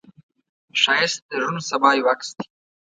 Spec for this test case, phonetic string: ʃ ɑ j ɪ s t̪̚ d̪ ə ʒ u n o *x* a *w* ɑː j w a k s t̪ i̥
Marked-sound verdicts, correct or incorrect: incorrect: s, incorrect: b

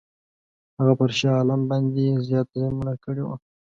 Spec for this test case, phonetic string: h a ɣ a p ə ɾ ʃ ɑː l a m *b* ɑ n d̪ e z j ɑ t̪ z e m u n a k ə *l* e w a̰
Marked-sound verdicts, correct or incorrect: correct, incorrect: ɽ

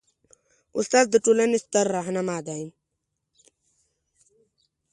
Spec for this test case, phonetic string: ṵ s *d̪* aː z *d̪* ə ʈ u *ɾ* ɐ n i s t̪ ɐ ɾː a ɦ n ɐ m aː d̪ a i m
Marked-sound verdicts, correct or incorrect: incorrect: t̪, correct, incorrect: l

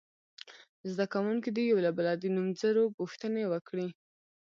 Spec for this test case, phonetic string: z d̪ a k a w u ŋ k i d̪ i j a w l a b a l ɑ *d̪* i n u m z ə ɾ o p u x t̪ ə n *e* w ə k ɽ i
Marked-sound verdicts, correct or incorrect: correct, correct

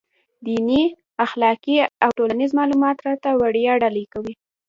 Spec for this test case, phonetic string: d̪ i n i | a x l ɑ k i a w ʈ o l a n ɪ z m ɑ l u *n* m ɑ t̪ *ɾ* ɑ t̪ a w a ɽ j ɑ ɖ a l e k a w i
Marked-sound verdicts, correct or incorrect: incorrect: none, correct

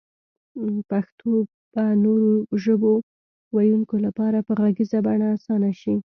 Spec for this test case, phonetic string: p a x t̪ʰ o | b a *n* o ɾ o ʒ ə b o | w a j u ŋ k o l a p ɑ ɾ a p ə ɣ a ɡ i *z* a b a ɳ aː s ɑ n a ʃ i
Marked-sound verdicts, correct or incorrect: correct, correct

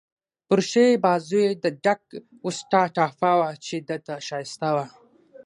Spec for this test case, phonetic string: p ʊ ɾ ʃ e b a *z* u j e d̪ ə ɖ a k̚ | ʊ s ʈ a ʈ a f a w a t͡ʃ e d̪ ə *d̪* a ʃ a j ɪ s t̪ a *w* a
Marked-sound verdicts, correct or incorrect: correct, incorrect: t̪, correct

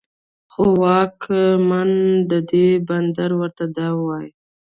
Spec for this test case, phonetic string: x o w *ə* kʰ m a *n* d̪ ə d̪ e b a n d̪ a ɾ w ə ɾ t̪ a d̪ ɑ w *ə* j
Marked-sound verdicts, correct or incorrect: incorrect: ɑ, correct, incorrect: ɑ

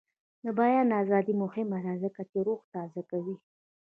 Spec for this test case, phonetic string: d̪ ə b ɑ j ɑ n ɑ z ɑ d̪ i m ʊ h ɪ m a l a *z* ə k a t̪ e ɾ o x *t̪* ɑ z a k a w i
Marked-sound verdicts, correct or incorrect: correct, correct

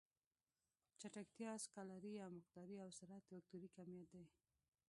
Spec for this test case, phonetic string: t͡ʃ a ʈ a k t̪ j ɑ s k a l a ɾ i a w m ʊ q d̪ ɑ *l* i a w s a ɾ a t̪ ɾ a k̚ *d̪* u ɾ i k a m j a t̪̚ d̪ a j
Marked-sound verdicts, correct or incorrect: incorrect: ɾ, incorrect: t̪

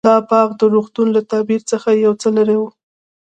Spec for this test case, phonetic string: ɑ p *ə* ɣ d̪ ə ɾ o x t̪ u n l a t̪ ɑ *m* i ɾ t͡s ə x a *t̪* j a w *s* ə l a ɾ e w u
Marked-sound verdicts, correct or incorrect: incorrect: ɑ, incorrect: b, incorrect: none, incorrect: t͡s

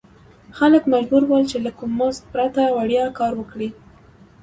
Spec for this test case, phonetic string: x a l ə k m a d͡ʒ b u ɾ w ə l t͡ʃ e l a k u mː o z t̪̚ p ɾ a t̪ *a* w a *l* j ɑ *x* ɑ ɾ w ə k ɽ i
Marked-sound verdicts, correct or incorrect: correct, incorrect: ɽ, incorrect: k

